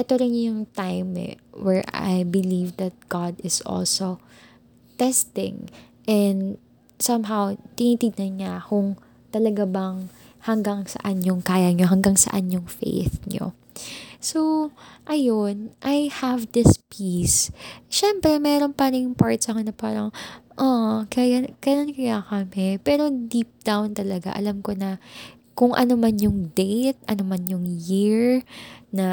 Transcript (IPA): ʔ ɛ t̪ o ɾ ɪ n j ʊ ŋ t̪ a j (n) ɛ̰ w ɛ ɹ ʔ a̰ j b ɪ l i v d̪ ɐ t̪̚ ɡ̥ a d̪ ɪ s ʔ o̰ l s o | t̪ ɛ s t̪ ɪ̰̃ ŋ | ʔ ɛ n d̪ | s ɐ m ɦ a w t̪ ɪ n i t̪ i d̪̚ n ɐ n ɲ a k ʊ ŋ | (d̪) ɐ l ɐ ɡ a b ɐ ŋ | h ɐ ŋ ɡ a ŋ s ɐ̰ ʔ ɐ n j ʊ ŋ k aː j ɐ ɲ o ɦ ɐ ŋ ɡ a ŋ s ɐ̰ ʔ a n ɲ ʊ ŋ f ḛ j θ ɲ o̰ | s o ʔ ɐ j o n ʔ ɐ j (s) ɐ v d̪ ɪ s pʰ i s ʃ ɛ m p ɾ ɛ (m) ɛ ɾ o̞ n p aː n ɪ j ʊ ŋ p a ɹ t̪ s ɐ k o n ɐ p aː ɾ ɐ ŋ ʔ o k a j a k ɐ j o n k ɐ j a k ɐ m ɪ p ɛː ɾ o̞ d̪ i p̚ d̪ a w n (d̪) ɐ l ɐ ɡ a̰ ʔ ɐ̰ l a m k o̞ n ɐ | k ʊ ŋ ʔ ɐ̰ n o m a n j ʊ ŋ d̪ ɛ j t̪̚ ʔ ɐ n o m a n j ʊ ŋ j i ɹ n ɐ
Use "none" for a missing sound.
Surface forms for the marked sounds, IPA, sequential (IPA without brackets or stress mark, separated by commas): m, t̪, h, m, t̪